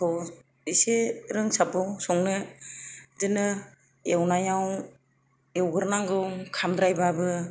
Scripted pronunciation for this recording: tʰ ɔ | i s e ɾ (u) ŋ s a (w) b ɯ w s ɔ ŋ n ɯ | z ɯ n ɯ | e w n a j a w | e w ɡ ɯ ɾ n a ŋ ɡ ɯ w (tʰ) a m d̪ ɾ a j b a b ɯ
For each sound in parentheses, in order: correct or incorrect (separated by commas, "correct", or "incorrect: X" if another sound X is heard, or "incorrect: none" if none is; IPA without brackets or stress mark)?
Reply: incorrect: ɯ, incorrect: none, incorrect: kʰ